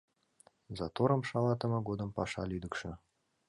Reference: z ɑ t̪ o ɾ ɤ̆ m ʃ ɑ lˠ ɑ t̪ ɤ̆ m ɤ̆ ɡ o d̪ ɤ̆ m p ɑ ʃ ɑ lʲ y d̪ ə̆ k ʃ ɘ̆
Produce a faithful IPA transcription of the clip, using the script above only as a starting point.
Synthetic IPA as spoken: z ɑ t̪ o ɾ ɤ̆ m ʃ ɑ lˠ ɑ t̪ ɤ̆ m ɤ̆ ɡ o d̪ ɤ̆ m p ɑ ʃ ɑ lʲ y d̪ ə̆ k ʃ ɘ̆

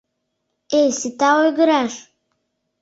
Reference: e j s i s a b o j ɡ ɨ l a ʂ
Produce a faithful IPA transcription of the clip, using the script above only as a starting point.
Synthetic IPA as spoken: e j s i t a w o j ɡ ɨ ɾ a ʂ

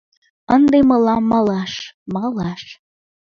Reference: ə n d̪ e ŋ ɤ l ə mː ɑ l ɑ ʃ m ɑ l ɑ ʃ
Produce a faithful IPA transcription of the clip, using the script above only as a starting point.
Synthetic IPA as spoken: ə n d̪ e m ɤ l ɑ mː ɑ l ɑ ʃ m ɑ l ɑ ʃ

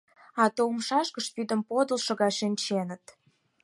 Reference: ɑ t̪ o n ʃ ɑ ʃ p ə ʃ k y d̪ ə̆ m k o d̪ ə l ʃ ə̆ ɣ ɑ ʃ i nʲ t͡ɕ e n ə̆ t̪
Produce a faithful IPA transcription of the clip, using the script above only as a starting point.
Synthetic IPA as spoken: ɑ t̪ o m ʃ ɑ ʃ k ə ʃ p y d̪ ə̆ m p o d̪ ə l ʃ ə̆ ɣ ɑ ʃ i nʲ t͡ɕ e n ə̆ t̪

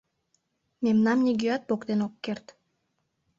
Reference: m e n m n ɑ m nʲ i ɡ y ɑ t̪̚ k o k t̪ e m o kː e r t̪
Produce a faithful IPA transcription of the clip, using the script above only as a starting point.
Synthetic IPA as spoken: m e m n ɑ m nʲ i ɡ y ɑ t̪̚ p o k t̪ e n o kː e r t̪

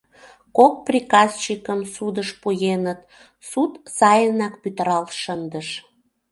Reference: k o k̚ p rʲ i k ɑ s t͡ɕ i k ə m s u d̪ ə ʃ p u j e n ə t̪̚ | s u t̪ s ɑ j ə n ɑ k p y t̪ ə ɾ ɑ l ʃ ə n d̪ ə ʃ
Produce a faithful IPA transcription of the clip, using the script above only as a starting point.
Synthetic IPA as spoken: k o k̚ p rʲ i k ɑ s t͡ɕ i k ə m s u d̪ ə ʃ p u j e n ə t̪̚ | s u t̪ s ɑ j ə n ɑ k p y t̪ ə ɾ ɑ l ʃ ə n d̪ ə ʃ

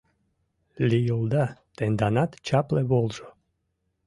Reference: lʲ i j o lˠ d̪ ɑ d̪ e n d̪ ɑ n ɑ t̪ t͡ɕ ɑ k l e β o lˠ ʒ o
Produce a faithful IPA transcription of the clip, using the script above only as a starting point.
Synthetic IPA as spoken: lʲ i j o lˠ d̪ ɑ t̪ e n d̪ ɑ n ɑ t̪ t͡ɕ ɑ p l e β o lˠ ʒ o

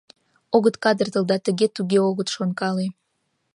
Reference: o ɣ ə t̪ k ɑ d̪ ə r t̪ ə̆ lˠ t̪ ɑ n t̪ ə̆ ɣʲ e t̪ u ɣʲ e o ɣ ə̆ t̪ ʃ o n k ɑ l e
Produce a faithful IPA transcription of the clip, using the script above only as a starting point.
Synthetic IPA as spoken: o ɣ ə t̪ k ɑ d̪ ə r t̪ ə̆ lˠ d̪ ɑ t̪ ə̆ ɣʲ e t̪ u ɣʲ e o ɣ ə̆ t̪ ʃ o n k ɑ l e

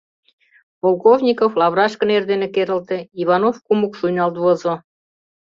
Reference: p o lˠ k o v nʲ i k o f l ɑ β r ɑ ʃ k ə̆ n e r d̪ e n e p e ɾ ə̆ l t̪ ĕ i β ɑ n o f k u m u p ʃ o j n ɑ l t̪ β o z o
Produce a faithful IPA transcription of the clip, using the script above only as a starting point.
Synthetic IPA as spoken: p o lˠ k o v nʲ i k o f l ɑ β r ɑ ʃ k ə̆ n e r d̪ e n e k e ɾ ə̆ l t̪ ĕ i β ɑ n o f k u m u k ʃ u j n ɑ l t̪ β o z o

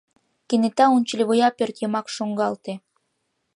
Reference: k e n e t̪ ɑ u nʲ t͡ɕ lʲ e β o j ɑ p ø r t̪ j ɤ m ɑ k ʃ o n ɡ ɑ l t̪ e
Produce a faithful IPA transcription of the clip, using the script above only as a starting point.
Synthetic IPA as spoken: k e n e t̪ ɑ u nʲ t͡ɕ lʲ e β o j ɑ p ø r t̪ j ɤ m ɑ k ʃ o ŋ ɡ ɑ l t̪ e

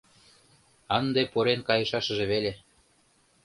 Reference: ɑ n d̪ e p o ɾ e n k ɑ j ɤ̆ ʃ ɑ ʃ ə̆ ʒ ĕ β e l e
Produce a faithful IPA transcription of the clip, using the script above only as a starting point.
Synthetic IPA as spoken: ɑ n d̪ e p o ɾ e n k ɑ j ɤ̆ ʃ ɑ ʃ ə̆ ʒ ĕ β e l e

